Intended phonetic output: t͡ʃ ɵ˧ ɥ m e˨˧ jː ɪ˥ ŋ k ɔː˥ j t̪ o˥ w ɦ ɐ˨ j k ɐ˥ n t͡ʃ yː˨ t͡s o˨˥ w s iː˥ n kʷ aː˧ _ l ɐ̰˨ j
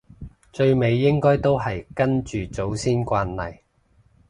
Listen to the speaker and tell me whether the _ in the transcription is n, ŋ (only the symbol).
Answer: n